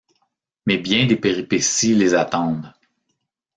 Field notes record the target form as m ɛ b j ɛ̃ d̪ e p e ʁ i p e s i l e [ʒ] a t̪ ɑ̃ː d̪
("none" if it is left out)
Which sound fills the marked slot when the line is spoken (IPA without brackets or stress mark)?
z